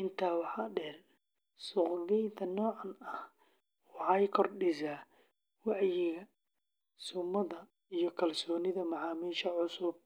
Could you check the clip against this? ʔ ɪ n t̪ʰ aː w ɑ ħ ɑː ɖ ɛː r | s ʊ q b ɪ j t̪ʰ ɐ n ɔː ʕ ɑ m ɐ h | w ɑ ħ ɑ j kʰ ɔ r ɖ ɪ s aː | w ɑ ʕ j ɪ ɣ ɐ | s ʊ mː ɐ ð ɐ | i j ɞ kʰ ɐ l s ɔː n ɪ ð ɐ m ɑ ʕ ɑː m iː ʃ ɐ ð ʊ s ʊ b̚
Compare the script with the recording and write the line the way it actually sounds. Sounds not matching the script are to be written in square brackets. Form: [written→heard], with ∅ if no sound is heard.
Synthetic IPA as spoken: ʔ ɪ n t̪ʰ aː w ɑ ħ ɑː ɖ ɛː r | s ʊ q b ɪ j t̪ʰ ɐ n ɔː ʕ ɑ [m→n] ɐ h | w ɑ ħ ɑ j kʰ ɔ r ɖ ɪ s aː | w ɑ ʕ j ɪ ɣ ɐ | s ʊ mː ɐ ð ɐ | i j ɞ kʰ ɐ l s ɔː n ɪ ð ɐ m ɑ ʕ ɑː m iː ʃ ɐ [ð→ʕ] ʊ s ʊ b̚